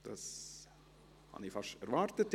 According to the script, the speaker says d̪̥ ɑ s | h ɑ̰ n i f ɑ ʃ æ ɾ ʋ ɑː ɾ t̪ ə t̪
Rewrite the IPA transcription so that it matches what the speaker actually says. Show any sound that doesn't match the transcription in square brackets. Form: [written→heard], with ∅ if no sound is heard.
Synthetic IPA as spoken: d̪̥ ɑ s | h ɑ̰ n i f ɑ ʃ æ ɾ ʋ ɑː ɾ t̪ ə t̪

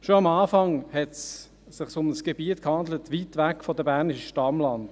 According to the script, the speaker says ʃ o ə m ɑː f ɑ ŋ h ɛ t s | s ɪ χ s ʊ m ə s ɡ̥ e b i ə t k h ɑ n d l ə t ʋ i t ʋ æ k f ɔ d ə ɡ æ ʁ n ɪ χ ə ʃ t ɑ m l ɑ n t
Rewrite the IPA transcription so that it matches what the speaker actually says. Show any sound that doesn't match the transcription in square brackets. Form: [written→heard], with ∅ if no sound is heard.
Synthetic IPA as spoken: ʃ o [ə→ɑ] m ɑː f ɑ ŋ h ɛ t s | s ɪ χ s ʊ m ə s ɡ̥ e b i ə t k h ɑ n d l ə t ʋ i t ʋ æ k f ɔ d ə [ɡ→b] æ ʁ n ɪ [χ→ʃ] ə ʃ t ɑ m l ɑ n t

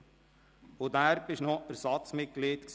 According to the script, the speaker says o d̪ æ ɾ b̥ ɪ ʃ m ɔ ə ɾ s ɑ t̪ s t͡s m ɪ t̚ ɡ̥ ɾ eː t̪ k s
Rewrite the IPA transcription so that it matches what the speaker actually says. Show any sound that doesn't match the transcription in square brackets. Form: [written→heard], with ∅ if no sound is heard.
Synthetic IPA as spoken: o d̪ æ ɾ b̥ ɪ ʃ [m→n] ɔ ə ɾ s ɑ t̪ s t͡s m ɪ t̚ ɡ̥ [ɾ→l] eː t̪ k s

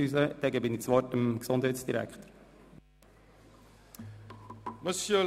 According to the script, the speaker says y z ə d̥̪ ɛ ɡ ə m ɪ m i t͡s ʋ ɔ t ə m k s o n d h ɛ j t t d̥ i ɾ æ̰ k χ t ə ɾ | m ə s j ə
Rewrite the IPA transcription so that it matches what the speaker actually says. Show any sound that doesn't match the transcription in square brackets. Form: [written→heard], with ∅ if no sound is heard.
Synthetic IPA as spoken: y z ə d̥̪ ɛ ɡ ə [m→b] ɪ [m→n] i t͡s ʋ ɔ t ə m k s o n d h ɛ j t [t→s] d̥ i ɾ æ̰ k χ t ə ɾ | m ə s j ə

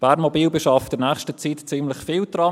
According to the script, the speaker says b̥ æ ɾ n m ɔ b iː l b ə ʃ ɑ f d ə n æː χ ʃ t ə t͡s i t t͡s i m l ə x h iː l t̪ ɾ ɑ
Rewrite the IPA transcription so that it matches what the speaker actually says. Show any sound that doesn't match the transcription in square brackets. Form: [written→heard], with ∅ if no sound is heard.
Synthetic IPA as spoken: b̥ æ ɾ n m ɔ b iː l b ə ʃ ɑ f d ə n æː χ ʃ t ə t͡s i t t͡s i m l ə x [h→f] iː l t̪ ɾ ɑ

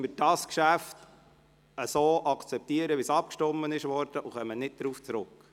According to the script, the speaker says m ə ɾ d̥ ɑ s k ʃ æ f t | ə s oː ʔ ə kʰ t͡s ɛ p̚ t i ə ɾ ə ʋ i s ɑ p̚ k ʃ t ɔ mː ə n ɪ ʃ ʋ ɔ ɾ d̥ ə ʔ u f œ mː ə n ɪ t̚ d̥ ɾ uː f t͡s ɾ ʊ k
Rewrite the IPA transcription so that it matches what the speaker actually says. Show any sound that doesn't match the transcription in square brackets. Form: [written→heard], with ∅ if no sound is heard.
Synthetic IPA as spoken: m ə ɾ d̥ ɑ s k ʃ æ f t | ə s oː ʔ [ə→ɑ] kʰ t͡s ɛ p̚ t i ə ɾ ə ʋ i s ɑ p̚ k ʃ t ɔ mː ə n ɪ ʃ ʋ ɔ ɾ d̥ ə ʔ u [f→χ] œ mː ə n ɪ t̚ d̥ ɾ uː f t͡s ɾ ʊ k

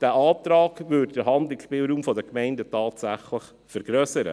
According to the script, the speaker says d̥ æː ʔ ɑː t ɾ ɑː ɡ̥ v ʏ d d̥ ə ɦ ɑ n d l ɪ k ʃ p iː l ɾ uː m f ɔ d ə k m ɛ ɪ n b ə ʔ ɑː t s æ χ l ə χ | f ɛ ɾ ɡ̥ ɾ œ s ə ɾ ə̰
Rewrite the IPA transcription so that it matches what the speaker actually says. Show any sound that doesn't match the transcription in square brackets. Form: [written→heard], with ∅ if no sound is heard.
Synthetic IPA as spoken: d̥ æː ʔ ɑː t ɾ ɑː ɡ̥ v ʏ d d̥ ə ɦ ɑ n d l ɪ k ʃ p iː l ɾ uː m f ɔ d ə k m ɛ ɪ n [b→d] ə [ʔ→t] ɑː t s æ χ l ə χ | f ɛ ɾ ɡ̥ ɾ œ s ə ɾ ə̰

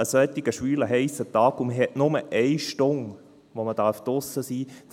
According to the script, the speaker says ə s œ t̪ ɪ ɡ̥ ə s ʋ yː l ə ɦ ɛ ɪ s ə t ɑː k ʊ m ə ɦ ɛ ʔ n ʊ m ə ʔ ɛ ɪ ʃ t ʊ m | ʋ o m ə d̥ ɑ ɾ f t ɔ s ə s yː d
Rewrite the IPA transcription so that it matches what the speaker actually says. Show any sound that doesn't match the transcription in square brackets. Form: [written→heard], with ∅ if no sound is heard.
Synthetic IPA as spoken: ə s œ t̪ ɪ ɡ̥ ə [s→ʃ] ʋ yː l ə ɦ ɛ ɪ s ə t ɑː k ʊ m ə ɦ ɛ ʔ n ʊ m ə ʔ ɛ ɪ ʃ t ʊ [m→ŋ] | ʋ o m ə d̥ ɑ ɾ f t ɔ s ə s [yː→iː] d

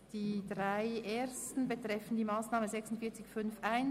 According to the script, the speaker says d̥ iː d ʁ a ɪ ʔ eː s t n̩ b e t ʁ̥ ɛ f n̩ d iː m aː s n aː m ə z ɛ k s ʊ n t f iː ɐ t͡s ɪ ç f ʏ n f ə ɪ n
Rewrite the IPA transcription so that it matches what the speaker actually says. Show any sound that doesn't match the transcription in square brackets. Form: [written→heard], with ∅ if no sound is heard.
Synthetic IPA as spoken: d̥ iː d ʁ a ɪ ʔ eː s t n̩ b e t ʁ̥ ɛ f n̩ d iː m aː s n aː m ə z ɛ k s ʊ n t f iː ɐ t͡s ɪ ç f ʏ n f [ə→a] ɪ n

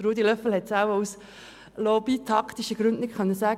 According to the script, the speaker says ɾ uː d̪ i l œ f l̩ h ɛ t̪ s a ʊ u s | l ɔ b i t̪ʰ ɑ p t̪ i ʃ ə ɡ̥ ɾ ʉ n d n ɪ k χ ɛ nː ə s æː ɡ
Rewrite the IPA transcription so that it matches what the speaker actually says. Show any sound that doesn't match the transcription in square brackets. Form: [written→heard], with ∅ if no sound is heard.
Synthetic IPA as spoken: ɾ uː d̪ i l œ f l̩ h ɛ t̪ s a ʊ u s | l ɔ b i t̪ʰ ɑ [p→k] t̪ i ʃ ə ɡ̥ ɾ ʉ n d n ɪ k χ [ɛ→œ] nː ə s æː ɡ

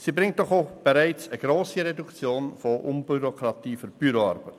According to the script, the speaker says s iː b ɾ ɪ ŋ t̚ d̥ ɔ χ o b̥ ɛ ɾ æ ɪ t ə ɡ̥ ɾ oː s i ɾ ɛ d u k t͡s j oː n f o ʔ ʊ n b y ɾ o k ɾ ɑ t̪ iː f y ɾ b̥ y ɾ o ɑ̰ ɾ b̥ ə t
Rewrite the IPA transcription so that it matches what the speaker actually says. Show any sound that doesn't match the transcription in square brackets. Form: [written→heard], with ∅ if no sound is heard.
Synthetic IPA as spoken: s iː b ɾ ɪ ŋ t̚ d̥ ɔ χ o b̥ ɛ ɾ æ ɪ [t→t͡s] ə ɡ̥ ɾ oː s i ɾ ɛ d u k t͡s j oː n f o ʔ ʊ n b y ɾ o k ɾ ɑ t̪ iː f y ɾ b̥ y ɾ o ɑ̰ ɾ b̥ ə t

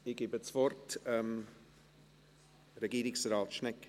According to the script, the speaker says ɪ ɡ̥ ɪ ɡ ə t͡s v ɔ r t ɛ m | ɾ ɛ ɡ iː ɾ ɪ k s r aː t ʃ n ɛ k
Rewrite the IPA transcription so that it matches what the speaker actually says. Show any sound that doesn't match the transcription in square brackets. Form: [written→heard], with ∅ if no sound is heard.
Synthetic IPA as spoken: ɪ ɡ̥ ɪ [ɡ→b] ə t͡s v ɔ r t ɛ m | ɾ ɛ ɡ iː ɾ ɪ k s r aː t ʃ n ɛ k

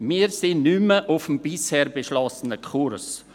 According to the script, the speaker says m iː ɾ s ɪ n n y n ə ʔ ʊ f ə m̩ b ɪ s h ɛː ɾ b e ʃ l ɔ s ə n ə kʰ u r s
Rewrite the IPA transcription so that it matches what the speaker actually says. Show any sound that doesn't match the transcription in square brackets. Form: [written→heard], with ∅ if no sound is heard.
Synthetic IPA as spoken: m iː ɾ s ɪ n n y [n→m] ə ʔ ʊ f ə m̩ b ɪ s h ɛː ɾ b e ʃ l ɔ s ə n ə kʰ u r s

